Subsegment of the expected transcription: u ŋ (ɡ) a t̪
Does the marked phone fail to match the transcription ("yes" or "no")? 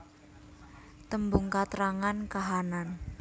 yes